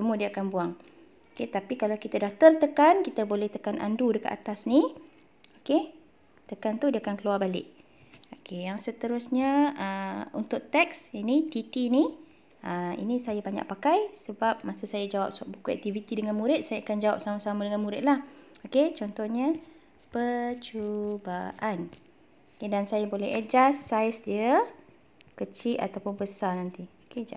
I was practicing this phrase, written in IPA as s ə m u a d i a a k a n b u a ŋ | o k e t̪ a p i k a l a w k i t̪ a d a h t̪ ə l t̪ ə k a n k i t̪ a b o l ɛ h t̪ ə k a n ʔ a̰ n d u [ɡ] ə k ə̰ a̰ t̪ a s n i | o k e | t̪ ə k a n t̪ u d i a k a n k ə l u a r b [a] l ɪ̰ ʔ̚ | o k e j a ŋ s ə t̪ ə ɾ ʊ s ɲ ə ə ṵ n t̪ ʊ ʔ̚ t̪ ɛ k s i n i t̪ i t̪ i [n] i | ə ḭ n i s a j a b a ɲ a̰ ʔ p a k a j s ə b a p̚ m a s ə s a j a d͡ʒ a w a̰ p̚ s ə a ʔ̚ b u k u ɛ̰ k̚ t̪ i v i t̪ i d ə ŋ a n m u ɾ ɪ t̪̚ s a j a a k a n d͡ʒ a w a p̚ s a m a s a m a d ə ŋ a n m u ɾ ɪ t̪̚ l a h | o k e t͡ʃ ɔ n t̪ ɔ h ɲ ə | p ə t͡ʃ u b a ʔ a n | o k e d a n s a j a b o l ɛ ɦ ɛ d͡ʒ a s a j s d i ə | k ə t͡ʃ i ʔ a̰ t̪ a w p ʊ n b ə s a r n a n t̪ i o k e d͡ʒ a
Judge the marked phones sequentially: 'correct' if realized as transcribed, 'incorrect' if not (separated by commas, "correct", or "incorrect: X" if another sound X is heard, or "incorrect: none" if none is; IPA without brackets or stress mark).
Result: incorrect: d, correct, correct